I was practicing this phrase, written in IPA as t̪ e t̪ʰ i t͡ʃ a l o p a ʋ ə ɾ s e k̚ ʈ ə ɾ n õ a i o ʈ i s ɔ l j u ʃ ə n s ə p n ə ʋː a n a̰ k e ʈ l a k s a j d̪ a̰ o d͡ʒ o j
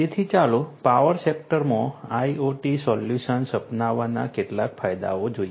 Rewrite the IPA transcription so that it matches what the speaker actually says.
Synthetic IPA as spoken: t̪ e t̪ʰ i t͡ʃ a l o p a ʋ ə ɾ s e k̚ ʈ ə ɾ m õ a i o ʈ i s ɔ l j u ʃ ə n s ə p n a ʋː a n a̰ k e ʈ l a k f a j d̪ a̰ o d͡ʒ o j